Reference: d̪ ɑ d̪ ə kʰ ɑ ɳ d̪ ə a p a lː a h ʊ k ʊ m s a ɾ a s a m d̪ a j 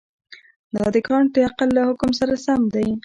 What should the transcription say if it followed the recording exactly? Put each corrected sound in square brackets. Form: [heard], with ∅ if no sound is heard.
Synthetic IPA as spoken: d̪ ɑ d̪ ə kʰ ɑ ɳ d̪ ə a [q] a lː a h ʊ k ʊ m s a ɾ a s a m d̪ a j